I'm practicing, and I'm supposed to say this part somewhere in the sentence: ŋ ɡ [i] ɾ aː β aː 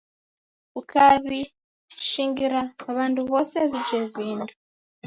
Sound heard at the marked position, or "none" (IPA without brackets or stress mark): i